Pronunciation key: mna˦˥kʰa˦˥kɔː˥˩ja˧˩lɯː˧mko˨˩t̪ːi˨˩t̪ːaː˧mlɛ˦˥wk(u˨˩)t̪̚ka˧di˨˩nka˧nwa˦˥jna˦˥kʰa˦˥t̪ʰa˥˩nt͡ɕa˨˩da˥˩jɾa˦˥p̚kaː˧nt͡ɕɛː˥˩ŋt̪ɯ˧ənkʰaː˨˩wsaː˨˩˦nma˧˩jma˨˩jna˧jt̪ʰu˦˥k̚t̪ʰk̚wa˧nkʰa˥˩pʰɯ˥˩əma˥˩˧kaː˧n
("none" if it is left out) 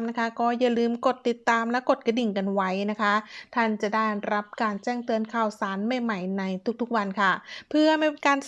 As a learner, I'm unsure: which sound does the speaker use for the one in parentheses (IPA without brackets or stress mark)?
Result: o˨˩